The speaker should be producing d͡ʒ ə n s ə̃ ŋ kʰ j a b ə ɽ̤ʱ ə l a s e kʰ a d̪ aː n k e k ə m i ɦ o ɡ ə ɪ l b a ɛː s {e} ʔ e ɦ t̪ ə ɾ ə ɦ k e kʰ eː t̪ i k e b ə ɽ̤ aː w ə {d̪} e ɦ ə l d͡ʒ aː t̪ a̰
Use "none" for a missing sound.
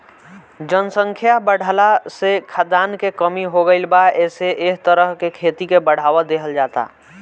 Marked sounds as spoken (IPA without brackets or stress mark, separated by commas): e, d̪